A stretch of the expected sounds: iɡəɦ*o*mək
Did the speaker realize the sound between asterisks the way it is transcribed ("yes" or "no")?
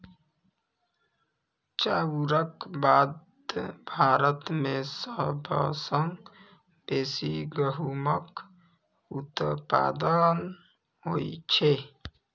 no